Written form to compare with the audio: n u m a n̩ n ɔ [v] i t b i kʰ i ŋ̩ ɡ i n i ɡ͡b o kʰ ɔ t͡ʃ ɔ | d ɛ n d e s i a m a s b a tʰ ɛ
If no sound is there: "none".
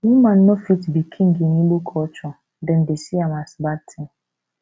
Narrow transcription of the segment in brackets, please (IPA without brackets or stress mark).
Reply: f